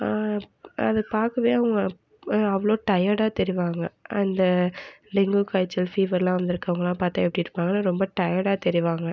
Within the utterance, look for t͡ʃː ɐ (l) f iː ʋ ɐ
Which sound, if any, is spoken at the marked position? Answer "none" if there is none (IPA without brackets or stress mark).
l